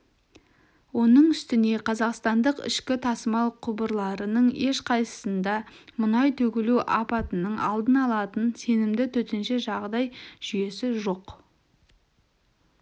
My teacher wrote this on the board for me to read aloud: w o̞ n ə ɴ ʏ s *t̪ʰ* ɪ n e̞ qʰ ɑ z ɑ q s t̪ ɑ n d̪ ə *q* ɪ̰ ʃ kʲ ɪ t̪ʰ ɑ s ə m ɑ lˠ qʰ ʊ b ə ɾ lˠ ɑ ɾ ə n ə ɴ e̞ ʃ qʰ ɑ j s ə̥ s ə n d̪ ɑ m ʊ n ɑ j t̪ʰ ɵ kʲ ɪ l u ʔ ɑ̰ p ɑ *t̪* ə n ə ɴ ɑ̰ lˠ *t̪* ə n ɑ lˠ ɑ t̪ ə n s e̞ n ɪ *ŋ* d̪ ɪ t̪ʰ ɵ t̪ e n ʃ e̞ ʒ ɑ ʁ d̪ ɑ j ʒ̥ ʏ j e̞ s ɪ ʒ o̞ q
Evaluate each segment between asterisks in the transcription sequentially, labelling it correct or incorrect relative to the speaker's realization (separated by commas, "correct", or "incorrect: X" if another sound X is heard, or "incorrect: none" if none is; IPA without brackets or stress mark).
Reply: incorrect: t̪, correct, correct, incorrect: d̪, incorrect: m